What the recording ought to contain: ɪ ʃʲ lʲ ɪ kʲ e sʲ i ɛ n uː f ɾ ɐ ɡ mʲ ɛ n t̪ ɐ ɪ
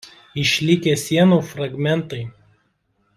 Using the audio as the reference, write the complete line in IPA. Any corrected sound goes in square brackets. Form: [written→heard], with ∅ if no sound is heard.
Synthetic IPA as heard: ɪ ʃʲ lʲ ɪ kʲ e sʲ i ɛ n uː f ɾ ɐ ɡ mʲ ɛ n t̪ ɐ ɪ